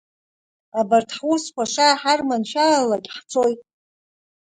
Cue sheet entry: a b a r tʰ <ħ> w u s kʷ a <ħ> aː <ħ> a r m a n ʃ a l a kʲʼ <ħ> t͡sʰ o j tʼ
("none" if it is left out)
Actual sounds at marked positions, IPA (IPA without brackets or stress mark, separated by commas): ħ, ʂ, ħ, ħ